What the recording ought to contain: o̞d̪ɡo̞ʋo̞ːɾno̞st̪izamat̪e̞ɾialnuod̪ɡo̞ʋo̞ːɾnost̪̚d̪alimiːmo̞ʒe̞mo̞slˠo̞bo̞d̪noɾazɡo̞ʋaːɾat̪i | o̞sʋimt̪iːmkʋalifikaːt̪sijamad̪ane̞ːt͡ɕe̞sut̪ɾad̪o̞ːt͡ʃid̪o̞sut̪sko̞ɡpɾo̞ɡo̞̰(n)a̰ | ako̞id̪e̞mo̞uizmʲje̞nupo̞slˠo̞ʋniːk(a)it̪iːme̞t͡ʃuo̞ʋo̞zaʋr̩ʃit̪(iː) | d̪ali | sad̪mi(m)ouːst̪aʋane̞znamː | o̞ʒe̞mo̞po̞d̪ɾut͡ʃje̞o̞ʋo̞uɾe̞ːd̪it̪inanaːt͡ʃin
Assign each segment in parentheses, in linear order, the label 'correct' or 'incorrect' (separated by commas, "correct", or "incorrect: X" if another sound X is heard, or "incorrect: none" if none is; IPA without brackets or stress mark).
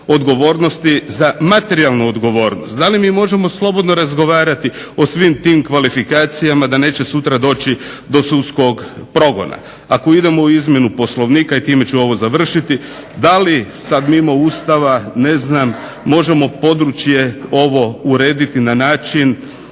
correct, correct, incorrect: i, correct